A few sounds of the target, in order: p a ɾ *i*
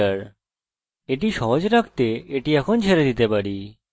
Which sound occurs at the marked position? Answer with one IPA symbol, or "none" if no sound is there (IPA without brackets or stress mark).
i